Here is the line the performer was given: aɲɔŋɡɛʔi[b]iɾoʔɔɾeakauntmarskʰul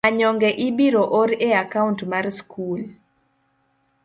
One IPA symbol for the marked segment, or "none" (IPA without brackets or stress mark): b